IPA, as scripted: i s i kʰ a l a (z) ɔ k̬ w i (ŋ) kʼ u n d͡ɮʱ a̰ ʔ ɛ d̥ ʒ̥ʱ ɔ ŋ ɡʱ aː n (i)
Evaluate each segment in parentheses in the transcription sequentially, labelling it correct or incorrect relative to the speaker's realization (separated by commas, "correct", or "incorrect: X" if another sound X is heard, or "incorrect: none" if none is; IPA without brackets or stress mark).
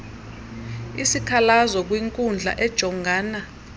correct, correct, incorrect: a